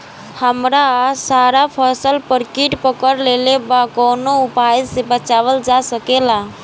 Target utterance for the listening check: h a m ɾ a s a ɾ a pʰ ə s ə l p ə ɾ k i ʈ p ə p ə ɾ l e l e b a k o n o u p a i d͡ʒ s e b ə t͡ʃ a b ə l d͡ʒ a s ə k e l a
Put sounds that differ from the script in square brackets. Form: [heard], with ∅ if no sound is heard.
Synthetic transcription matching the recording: h [ə] m ɾ a s a ɾ a pʰ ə s ə l p ə ɾ k i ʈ p ə [k] ə ɾ l e l e b a k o n o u p a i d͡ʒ s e b ə t͡ʃ a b ə l d͡ʒ a s ə k e l a

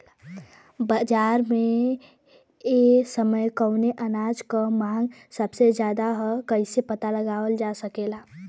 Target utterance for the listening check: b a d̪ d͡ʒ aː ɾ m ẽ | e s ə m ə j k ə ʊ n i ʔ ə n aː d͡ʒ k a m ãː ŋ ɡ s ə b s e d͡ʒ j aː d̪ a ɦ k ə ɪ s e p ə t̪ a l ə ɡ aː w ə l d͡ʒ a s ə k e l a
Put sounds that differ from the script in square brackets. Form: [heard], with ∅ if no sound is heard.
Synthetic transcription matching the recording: b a [∅] d͡ʒ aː ɾ m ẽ | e s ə m ə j k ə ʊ n [e] ʔ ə n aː d͡ʒ k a m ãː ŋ ɡ s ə b s e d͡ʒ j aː d̪ a ɦ k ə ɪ s e p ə t̪ a l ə ɡ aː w ə l d͡ʒ a s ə k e l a

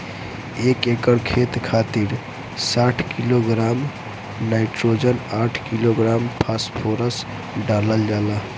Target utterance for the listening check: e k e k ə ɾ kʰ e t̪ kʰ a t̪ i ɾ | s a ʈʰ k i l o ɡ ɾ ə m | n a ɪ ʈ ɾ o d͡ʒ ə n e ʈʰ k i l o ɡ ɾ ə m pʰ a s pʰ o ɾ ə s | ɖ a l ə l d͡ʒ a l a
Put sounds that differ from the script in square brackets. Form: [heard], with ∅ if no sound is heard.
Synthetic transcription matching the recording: e k e k ə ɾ kʰ e t̪ kʰ a t̪ i ɾ | s a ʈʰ k i l o ɡ ɾ [a] m | n a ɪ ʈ ɾ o d͡ʒ ə n [a] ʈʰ k i l o ɡ ɾ [a] m pʰ a s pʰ o ɾ ə s | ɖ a l ə l d͡ʒ a l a

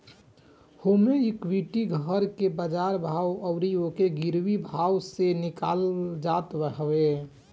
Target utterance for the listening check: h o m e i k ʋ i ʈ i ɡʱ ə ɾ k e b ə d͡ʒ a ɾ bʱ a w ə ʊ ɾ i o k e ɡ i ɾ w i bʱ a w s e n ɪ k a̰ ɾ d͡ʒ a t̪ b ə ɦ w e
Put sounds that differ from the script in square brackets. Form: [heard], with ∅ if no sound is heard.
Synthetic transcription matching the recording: h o m e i k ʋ i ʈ i ɡʱ ə ɾ k e b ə d͡ʒ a ɾ bʱ a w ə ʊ ɾ i o k e ɡ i ɾ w i bʱ a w s e n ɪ k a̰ [l] d͡ʒ a t̪ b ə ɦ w e

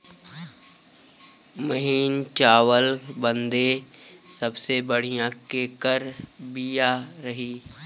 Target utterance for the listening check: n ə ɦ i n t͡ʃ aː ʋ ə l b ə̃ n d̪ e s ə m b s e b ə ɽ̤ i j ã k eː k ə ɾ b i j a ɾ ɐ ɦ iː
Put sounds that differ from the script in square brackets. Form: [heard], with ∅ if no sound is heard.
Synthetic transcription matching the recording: [m] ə ɦ [iː] n t͡ʃ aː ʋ ə l b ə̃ n d̪ e s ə [∅] b s e b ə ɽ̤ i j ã k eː k ə ɾ b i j a ɾ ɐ ɦ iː

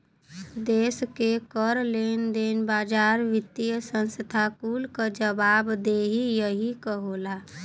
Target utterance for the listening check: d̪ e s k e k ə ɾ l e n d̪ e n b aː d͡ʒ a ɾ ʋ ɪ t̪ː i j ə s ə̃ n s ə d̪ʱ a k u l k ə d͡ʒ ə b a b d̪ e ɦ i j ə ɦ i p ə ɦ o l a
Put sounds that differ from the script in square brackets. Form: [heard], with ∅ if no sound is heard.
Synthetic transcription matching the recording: d̪ e s k e k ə ɾ l e n d̪ e n b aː d͡ʒ a ɾ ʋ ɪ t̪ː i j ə s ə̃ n s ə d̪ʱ a k u l k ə d͡ʒ ə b a b d̪ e ɦ i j ə ɦ i [k] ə ɦ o l a

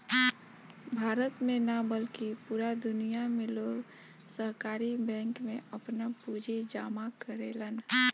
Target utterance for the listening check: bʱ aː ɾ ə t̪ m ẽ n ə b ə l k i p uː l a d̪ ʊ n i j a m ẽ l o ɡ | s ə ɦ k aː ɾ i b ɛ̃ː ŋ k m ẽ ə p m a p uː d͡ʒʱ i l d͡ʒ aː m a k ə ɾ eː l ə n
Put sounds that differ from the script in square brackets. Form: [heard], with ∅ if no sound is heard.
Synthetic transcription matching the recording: bʱ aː ɾ ə t̪ m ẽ n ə b ə l k i p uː [ɾ] a d̪ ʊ n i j a m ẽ l o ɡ | s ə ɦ k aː ɾ i b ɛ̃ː ŋ k m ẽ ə p [n] a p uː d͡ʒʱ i [∅] d͡ʒ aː m a k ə ɾ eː l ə n

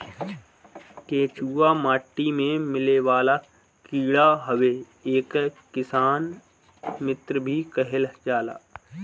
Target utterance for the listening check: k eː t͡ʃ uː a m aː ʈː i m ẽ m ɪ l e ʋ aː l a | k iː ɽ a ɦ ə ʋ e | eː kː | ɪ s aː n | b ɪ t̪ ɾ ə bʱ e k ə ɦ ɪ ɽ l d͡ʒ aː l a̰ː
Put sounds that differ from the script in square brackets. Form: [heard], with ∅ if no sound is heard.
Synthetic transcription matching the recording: k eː t͡ʃ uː a m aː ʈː i m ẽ m ɪ l e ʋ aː l a | k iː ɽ a ɦ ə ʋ e | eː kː | ɪ s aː n | [m] ɪ t̪ ɾ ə bʱ [i] k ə ɦ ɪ [∅] l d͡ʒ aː l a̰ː

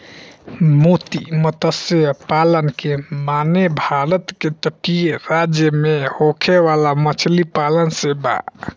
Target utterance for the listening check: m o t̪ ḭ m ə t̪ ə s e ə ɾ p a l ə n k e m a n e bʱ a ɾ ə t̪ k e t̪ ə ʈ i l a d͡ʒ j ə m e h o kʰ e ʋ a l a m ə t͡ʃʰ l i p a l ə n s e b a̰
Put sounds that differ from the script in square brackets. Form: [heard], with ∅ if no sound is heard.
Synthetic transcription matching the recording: m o t̪ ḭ m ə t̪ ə s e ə [∅] p a l ə n k e m a n e bʱ a ɾ ə t̪ k e t̪ ə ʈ i [ɾ] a d͡ʒ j ə m e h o kʰ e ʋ a l a m ə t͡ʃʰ l i p a l ə n s e b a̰

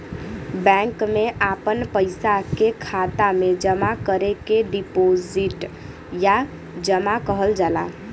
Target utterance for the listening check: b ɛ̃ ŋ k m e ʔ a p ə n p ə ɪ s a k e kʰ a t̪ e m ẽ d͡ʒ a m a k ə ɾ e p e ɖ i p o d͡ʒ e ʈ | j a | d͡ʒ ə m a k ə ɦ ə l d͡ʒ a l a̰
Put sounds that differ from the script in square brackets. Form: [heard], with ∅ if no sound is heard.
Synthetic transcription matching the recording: b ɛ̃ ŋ k m e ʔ a p ə n p ə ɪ s a k e kʰ a t̪ [a] m [e] d͡ʒ [ə] m a k ə ɾ e [k] e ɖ i p o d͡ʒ [i] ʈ | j a | d͡ʒ ə m a k ə ɦ ə l d͡ʒ a l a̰

